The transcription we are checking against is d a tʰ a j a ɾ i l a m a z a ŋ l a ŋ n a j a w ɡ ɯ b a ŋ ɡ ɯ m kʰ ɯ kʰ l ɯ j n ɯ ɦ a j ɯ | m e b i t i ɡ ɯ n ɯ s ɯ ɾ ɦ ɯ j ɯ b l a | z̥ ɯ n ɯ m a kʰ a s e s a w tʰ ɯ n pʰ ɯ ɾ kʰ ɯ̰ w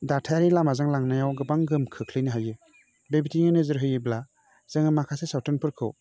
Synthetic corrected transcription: d a tʰ a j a ɾ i l a m a z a ŋ l a ŋ n a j a w ɡ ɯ b a ŋ ɡ ɯ m kʰ ɯ kʰ l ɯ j n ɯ ɦ a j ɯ | b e b i t i ŋ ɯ n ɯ z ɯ ɾ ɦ ɯ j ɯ b l a | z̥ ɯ ŋ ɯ m a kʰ a s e s a w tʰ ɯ n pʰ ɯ ɾ kʰ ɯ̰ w